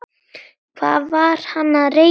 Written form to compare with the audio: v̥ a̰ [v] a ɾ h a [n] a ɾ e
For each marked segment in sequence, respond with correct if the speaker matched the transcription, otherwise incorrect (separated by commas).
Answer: correct, correct